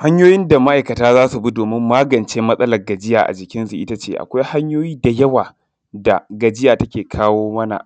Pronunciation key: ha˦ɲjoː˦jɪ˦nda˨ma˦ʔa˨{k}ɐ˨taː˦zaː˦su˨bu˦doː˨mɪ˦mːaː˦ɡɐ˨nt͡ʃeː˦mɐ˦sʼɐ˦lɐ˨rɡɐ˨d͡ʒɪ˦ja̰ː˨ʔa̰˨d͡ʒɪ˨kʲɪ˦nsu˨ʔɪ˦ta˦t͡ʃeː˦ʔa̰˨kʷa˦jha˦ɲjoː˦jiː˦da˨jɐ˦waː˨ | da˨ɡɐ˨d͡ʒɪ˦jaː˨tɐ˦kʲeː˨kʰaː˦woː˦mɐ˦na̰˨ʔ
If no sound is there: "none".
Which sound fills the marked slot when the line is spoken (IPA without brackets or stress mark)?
k